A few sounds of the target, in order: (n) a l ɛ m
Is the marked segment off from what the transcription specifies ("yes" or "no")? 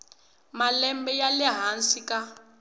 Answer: yes